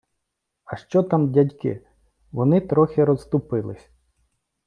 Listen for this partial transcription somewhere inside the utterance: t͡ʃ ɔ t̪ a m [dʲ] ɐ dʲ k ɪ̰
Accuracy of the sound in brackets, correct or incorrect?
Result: correct